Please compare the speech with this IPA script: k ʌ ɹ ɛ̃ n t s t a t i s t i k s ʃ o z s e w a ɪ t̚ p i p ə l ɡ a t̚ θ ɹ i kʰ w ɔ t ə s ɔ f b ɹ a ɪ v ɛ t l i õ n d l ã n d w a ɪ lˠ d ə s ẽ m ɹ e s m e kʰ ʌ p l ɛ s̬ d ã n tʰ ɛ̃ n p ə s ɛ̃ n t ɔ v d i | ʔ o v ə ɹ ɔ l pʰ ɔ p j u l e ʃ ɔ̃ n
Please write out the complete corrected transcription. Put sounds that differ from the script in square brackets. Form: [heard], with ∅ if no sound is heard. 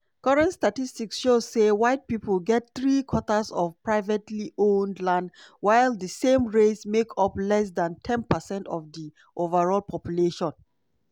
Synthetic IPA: k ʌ ɹ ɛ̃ n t s t a t i s t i k s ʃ o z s e w a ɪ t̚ p i p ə l ɡ [ɛ] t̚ θ ɹ i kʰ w ɔ t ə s ɔ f [p] ɹ a ɪ v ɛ t l i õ n d l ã n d w a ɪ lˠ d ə s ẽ m ɹ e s m e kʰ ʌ p l ɛ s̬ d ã n tʰ ɛ̃ n p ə s ɛ̃ n t ɔ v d i | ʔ o v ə ɹ ɔ l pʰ ɔ p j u l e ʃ ɔ̃ n